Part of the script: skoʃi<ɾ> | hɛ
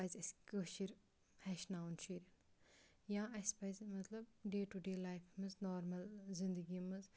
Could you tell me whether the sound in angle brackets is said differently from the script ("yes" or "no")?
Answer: no